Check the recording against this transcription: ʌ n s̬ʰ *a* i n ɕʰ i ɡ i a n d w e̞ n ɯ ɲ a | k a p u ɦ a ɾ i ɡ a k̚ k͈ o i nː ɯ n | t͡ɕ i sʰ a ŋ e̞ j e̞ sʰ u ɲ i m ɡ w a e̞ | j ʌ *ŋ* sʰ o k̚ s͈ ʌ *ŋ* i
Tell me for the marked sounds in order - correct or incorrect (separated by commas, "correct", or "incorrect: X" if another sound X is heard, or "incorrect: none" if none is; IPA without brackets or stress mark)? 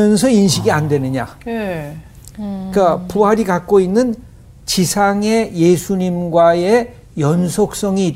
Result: incorrect: ʌ, incorrect: n, correct